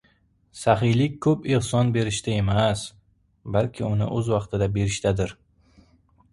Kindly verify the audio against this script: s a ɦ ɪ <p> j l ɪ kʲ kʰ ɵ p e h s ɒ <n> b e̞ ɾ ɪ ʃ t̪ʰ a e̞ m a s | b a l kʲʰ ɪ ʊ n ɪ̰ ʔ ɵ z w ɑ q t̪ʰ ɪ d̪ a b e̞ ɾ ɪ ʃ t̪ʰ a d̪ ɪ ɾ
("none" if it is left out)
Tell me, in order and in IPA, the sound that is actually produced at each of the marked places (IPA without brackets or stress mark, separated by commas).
none, n